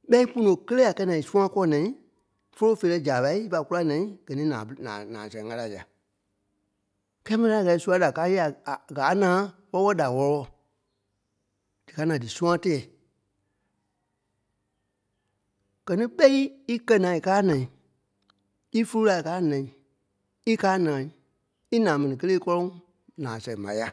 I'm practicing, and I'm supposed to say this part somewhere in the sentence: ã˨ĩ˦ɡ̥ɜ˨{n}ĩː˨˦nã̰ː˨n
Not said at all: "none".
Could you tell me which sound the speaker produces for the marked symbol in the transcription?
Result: n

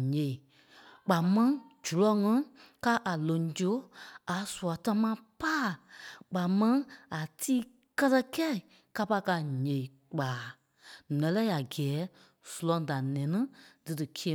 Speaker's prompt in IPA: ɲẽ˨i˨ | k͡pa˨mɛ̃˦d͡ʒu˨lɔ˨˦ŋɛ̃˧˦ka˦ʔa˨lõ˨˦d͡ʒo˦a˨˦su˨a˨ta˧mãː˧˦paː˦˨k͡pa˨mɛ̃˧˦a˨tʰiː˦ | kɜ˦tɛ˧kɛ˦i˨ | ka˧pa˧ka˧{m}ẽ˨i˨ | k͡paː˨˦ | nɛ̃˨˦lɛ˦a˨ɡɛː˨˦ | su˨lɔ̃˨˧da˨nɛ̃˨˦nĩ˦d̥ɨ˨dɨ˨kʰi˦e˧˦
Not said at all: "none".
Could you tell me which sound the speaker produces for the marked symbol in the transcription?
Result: ɲ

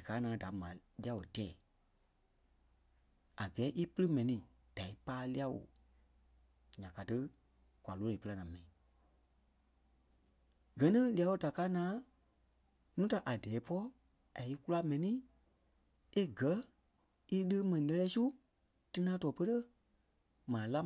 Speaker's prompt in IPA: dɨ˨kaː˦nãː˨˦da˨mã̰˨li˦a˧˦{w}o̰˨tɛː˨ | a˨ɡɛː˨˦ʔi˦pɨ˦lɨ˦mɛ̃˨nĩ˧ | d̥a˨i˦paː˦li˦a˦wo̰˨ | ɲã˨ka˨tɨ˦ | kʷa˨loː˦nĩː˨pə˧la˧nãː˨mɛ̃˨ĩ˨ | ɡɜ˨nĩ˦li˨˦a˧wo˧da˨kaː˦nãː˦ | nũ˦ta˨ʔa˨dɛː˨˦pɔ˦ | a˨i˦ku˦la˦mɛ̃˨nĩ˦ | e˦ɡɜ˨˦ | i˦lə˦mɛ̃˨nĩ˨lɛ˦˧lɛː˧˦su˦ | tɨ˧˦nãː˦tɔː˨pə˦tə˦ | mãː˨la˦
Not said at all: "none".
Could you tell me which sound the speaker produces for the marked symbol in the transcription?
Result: w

